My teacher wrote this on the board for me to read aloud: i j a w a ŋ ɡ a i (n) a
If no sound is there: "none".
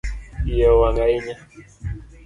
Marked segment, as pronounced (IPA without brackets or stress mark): ɲ